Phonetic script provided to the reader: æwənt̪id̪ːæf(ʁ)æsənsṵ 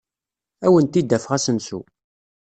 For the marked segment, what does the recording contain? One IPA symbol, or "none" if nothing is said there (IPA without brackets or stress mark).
ʁ